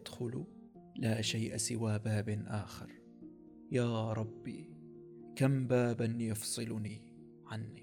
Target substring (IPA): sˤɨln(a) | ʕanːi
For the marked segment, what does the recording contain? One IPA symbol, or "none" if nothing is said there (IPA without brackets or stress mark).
i